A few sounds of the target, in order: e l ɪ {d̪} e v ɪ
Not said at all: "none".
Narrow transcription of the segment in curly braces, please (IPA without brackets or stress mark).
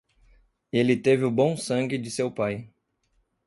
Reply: t̪